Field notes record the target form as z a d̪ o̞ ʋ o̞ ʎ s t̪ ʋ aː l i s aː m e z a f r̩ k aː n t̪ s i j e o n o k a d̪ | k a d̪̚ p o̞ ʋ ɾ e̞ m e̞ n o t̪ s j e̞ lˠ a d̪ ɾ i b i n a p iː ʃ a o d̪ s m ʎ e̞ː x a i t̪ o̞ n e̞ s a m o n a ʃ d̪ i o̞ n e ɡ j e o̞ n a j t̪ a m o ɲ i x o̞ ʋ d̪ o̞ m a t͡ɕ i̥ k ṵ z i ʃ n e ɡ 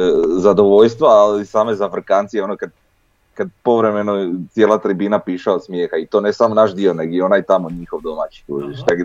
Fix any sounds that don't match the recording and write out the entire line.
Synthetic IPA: z a d̪ o̞ ʋ o̞ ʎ s t̪ ʋ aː l i s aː m e z a f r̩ k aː n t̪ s i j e o n o k a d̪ | k a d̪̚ p o̞ ʋ ɾ e̞ m e̞ n o t̪ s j e̞ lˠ a t̪ ɾ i b i n a p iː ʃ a o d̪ s m j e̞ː x a i t̪ o̞ n e̞ s a m o n a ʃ d̪ i o̞ n e ɡ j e o̞ n a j t̪ a m o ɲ i x o̞ ʋ d̪ o̞ m a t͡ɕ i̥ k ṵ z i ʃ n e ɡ